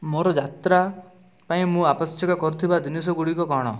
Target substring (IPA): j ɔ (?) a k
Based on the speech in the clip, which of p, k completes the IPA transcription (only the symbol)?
k